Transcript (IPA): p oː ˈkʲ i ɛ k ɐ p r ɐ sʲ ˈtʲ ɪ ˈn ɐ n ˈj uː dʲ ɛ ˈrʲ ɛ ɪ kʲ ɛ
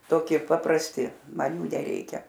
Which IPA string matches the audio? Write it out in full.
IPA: t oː ˈkʲ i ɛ p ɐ p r ɐ sʲ ˈtʲ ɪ ˈm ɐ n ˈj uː nʲ ɛ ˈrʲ ɛ ɪ kʲ ɛ